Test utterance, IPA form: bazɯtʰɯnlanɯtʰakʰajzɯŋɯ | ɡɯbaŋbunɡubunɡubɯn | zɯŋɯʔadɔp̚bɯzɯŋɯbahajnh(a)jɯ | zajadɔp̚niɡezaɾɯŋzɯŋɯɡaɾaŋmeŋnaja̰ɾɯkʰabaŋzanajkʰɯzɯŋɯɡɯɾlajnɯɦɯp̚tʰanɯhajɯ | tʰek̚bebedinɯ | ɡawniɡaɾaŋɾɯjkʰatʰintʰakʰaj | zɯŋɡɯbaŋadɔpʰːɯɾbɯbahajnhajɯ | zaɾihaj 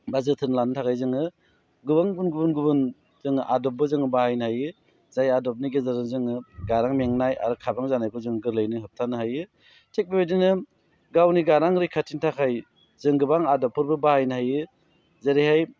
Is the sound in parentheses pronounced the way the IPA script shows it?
yes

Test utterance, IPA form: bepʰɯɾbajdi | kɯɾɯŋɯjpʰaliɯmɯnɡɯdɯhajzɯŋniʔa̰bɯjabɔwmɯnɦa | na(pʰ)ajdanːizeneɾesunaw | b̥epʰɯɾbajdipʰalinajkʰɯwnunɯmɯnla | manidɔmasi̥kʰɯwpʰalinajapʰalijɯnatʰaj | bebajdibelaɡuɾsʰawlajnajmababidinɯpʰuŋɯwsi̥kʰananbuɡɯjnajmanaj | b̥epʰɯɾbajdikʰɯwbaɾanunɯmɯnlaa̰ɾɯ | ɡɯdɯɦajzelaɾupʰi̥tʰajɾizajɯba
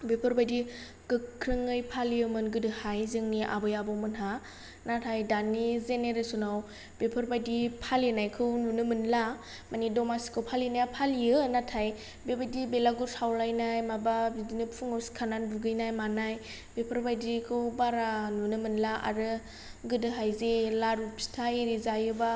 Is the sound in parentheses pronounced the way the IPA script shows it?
no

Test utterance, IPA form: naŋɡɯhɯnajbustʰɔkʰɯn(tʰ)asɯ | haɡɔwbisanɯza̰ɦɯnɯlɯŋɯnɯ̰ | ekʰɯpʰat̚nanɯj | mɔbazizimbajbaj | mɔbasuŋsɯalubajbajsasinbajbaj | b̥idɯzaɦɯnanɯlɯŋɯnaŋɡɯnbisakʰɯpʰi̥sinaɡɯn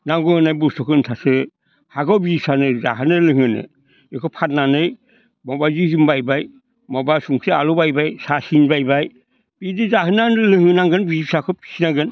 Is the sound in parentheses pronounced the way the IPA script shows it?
yes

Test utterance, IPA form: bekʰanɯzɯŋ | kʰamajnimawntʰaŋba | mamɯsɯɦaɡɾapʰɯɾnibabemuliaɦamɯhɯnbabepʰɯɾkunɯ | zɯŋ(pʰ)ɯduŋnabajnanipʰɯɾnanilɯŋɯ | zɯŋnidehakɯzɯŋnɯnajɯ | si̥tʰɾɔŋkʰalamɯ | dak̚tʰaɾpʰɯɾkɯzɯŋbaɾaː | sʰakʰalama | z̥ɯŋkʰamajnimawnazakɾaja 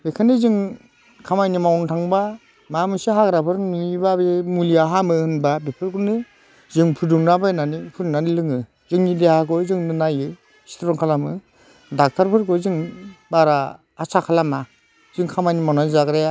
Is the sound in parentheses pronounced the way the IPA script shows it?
yes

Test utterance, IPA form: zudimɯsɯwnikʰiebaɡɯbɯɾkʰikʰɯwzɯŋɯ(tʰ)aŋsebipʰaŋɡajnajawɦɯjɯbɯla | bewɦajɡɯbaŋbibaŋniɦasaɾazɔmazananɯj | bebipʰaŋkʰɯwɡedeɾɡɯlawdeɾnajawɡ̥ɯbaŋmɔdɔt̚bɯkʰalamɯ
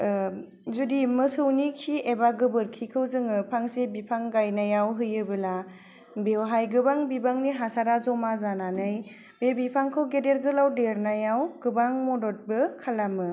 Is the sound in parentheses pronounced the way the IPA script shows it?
no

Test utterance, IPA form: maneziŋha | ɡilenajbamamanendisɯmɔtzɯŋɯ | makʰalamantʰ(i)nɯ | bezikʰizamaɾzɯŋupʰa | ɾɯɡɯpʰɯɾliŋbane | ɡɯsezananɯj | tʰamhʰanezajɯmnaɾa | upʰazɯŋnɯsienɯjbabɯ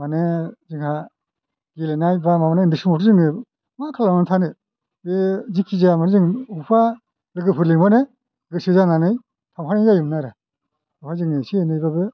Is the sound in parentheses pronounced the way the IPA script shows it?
no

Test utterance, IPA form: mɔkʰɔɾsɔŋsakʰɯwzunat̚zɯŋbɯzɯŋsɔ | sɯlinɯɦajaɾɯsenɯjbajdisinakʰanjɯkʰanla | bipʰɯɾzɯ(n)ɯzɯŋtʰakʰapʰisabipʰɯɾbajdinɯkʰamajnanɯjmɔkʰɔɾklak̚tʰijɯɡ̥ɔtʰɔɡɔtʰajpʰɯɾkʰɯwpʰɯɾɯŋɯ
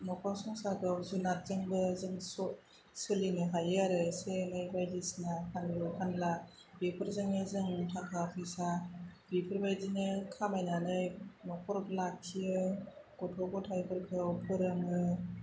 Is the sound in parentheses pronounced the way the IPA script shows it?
no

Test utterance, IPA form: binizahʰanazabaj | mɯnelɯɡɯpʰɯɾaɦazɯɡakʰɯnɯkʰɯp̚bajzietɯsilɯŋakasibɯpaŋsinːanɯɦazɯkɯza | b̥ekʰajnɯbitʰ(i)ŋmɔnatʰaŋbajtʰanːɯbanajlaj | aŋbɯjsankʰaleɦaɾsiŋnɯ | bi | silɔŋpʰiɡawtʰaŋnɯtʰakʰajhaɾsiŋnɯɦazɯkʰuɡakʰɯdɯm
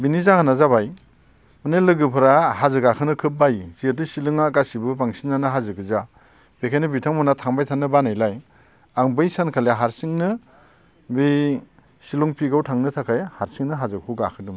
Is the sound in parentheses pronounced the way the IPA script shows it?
no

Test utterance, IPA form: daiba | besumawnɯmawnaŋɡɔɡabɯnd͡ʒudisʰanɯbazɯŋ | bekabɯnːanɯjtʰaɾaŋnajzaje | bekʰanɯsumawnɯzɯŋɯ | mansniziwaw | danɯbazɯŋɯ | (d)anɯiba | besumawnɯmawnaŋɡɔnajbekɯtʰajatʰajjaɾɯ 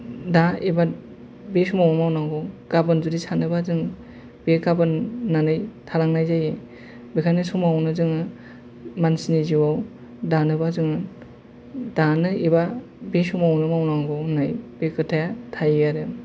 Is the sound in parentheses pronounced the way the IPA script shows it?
yes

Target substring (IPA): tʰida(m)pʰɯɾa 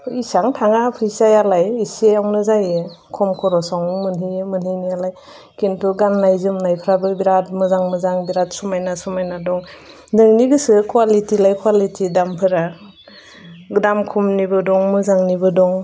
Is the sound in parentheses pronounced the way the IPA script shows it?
yes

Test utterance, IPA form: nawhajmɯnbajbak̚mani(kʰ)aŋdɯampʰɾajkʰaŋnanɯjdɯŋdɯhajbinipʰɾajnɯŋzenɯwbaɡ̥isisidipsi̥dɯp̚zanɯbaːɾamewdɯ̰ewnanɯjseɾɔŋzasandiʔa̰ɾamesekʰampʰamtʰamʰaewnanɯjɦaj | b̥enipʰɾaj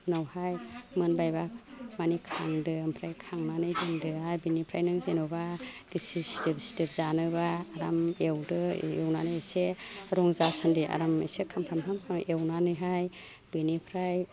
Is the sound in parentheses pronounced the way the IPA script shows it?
yes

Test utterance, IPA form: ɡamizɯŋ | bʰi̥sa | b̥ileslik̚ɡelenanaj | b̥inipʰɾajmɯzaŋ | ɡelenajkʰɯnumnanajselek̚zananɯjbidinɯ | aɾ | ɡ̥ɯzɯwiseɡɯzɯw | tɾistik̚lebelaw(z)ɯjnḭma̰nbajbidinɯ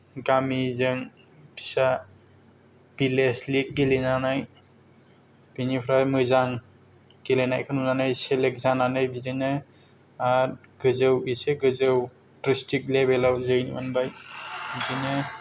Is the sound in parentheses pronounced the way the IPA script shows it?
yes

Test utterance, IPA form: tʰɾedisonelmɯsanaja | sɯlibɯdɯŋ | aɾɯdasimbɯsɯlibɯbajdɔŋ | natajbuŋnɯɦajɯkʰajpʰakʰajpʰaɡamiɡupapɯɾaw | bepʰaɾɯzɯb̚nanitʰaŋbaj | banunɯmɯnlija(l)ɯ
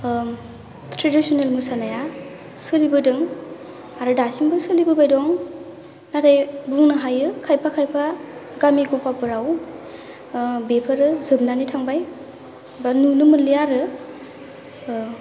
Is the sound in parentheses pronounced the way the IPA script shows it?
no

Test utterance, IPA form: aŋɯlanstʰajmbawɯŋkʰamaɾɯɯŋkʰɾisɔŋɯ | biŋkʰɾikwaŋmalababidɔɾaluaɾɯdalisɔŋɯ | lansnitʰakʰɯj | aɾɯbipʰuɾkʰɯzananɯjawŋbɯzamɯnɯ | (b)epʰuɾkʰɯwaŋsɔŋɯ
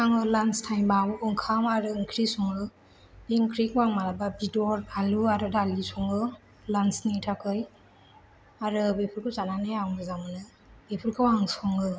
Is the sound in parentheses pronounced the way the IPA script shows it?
yes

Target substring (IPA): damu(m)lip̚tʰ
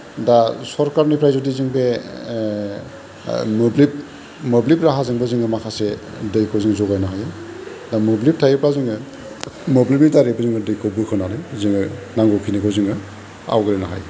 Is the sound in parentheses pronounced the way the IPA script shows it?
no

